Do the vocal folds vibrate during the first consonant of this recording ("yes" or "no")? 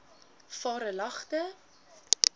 no